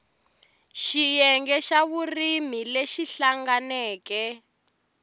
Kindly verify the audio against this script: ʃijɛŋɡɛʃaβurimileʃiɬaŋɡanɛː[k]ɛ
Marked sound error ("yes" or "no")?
no